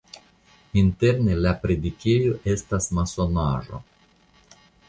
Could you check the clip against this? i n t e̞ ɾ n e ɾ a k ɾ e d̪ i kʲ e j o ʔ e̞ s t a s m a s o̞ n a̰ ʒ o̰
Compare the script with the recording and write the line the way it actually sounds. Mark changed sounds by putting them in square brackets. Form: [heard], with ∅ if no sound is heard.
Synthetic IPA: i n t e̞ ɾ n e [l] a [p] ɾ e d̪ i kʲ e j o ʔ e̞ s t a s m a s o̞ n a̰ ʒ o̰